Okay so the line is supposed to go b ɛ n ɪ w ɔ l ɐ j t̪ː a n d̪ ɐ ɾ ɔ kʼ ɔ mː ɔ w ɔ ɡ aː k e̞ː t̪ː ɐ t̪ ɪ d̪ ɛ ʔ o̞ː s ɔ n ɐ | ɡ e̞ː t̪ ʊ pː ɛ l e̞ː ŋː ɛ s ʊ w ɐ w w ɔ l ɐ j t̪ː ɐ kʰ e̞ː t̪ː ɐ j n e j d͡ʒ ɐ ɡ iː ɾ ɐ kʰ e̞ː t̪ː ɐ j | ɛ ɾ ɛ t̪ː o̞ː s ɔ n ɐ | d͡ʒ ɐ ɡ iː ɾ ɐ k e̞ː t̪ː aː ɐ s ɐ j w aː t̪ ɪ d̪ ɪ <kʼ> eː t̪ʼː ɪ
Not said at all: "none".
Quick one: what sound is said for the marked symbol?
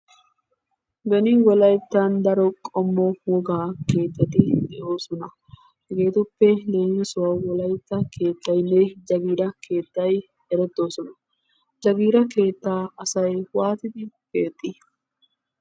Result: k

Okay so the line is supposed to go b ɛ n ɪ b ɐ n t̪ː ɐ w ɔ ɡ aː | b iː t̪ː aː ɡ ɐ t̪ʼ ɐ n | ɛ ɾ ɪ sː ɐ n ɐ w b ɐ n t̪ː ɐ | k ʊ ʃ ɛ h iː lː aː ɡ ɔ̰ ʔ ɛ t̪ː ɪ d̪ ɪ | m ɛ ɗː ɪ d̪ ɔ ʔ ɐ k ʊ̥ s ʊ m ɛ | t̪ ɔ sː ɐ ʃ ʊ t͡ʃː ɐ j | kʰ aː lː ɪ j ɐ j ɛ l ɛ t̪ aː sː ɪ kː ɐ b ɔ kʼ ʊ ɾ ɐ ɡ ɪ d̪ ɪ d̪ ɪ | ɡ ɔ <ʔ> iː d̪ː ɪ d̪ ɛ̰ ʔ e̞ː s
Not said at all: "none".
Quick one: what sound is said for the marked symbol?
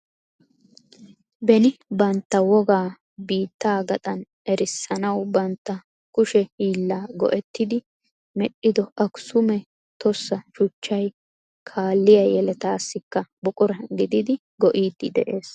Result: ʔ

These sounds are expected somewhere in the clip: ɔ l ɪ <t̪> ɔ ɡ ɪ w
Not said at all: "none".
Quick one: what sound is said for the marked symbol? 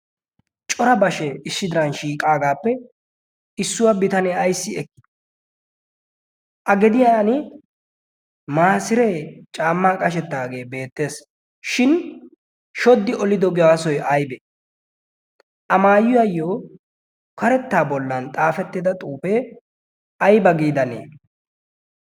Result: d̪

